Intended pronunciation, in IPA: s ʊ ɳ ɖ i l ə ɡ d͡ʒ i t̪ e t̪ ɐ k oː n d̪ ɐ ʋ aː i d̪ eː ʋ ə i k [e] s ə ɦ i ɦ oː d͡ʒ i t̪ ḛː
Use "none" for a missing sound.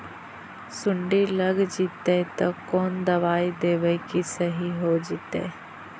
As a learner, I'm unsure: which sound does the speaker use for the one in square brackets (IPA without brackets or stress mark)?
i